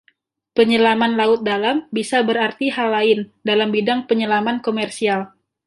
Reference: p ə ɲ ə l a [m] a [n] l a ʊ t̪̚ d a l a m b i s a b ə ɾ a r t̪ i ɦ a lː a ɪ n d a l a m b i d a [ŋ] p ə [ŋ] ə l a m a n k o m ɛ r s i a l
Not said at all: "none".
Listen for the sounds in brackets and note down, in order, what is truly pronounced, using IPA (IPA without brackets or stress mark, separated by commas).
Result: m, n, ŋ, ɲ